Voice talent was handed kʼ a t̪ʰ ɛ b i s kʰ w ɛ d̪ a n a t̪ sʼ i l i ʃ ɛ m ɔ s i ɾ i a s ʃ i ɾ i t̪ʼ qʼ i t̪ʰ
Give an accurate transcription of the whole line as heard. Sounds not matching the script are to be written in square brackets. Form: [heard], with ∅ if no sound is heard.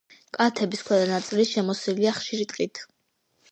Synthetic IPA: kʼ a t̪ʰ ɛ b i s kʰ w ɛ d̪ a n a t̪ sʼ i l i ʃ ɛ m ɔ s i [l] i a [χ] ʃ i ɾ i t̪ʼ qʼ i t̪ʰ